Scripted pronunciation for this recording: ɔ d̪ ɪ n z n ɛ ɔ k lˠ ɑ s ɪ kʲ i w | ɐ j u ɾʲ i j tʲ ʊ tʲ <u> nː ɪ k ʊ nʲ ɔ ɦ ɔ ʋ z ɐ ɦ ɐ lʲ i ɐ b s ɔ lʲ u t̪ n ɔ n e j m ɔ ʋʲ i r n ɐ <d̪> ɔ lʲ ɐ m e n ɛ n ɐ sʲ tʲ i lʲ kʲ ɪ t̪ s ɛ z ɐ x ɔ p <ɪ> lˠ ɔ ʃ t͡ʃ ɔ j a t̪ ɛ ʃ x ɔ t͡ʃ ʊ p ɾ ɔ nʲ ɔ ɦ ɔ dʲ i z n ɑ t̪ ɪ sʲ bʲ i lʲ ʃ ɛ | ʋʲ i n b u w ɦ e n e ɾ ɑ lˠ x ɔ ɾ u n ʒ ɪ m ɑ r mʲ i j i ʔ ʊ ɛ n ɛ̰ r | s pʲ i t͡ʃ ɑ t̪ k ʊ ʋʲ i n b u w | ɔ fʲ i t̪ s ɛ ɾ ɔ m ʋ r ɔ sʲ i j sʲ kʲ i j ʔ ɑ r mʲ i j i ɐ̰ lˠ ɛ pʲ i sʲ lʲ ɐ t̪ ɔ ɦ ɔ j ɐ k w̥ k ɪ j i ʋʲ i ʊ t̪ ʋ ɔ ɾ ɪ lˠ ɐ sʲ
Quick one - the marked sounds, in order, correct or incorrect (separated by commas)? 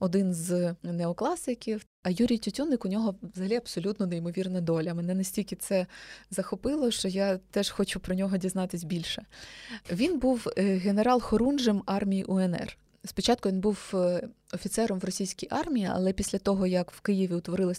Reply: correct, correct, correct